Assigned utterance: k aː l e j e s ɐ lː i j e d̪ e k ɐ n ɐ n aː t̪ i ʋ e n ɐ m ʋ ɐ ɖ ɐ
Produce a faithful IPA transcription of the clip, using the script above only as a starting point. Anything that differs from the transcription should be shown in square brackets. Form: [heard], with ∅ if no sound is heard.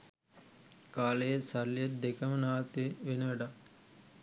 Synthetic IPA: k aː l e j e s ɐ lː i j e d̪ e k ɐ [m] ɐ n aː t̪ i ʋ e n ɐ [∅] ʋ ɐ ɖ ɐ

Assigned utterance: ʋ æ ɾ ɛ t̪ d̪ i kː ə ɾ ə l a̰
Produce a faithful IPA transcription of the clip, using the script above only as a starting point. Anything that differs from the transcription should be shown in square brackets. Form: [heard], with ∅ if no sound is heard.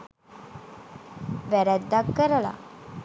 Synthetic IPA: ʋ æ ɾ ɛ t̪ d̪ [a] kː ə ɾ ə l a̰

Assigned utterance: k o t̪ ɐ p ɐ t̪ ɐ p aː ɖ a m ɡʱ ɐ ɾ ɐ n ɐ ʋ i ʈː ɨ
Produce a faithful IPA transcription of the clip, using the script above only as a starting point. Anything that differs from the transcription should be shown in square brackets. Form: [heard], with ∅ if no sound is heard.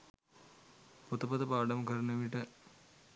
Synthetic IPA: [p] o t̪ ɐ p ɐ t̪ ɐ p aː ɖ [ɐ] m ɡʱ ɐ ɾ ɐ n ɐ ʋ i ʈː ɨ

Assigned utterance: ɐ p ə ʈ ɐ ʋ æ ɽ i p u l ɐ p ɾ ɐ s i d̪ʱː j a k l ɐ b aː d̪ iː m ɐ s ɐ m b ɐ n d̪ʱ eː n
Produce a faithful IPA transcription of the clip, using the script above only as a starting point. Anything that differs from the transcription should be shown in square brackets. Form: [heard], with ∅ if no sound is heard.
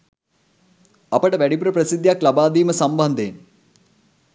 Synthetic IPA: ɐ p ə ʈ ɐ ʋ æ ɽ i p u [ɾ] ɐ p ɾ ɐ s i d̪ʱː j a k l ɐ b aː d̪ iː m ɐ s ɐ m b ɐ n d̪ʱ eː n

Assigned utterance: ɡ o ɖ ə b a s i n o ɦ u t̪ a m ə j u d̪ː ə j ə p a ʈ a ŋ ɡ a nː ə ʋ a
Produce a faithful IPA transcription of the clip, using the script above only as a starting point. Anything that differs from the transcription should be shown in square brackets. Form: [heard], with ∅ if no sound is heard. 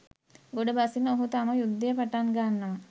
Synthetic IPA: ɡ o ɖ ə b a s i n o ɦ u t̪ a m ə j u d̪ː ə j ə p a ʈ a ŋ ɡ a nː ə ʋ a

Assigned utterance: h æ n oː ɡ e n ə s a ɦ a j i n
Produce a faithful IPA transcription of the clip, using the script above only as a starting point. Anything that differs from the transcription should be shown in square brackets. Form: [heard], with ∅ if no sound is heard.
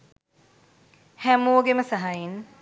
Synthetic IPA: h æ [m] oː ɡ e [m] ə s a ɦ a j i n

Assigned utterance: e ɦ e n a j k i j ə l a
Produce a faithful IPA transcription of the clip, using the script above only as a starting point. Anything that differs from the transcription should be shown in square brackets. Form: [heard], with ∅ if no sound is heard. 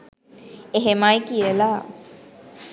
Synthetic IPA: e ɦ e [m] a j k i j ə l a

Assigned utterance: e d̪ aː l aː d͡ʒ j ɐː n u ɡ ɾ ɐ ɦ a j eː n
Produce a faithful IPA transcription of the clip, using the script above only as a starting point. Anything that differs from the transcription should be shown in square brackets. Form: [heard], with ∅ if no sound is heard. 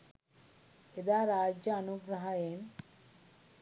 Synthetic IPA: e d̪ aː [ɾ] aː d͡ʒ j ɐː n u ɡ ɾ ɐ ɦ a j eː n

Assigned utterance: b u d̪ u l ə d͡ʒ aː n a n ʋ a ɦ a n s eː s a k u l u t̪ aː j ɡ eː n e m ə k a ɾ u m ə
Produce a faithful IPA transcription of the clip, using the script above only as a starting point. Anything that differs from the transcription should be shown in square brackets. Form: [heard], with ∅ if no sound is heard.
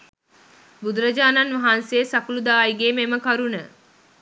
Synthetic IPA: b u d̪ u [ɾ] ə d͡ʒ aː n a n ʋ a ɦ a n s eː s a k u l u [d̪] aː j ɡ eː [m] e m ə k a ɾ u [n] ə

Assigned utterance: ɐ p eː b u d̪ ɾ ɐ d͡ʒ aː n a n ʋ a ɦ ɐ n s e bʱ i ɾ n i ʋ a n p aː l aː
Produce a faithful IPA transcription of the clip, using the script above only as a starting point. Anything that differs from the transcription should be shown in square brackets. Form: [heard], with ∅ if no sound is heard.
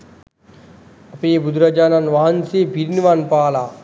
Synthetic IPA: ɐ p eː b u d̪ ɾ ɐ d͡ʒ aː n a n ʋ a ɦ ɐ n s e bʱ i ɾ n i ʋ a n p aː l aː

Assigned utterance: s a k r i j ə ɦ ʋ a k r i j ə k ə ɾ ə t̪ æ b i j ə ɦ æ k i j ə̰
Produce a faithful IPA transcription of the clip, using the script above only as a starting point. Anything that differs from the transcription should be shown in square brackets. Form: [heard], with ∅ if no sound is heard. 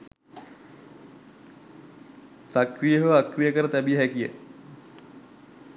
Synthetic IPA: s a k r i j ə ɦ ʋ a k r i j ə k ə ɾ ə t̪ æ b i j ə ɦ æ k i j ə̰

